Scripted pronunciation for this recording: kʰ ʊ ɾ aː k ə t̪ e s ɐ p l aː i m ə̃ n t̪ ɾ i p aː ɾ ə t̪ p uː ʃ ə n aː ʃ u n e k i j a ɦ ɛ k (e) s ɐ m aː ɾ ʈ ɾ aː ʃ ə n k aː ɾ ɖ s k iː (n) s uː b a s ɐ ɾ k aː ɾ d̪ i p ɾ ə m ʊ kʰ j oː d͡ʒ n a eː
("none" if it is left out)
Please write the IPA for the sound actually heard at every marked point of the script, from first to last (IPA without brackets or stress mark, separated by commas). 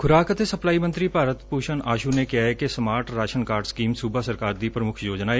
e, m